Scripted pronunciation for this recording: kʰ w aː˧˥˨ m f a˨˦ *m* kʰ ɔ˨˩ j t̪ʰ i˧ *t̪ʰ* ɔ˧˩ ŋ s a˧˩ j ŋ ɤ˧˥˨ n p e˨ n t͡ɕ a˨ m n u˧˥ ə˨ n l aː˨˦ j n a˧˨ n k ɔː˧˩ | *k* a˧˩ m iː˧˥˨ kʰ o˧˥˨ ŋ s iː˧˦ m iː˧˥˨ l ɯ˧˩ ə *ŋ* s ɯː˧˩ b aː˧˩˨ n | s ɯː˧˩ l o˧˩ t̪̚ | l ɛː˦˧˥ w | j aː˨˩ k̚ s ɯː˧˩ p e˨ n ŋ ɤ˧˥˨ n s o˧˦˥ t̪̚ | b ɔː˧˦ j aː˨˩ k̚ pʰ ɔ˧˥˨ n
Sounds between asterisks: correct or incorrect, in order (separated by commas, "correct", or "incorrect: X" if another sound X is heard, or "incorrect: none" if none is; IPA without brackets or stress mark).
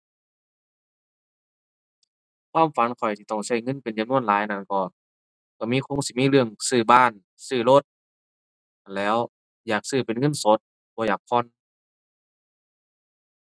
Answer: incorrect: n, incorrect: t̪, correct, correct